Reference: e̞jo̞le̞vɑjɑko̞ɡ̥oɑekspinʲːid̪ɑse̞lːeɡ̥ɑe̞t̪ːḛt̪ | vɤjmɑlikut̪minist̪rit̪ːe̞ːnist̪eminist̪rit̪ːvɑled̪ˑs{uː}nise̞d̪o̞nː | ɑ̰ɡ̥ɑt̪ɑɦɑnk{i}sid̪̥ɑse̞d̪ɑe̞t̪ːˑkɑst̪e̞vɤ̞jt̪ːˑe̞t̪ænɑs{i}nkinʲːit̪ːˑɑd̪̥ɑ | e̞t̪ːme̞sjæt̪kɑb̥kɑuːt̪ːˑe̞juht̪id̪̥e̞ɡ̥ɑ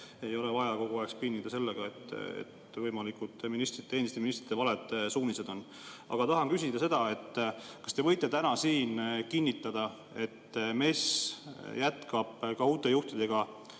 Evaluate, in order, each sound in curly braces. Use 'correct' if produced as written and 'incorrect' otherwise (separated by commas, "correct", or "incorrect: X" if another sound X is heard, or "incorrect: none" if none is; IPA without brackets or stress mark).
correct, incorrect: y, incorrect: iː